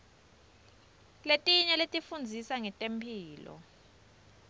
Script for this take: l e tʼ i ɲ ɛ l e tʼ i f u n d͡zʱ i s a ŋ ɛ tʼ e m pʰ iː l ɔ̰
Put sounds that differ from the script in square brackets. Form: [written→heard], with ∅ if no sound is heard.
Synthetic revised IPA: l e tʼ i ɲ ɛ l e tʼ i f u n d͡zʱ i s a ŋ ɛ tʼ e m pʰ iː l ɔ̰